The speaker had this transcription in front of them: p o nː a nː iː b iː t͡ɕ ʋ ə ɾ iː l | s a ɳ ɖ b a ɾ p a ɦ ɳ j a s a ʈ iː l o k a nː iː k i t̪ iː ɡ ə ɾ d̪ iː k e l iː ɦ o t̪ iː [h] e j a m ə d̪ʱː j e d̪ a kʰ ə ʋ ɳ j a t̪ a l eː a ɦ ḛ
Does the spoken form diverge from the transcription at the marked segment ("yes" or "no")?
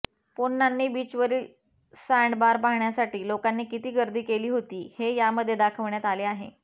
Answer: no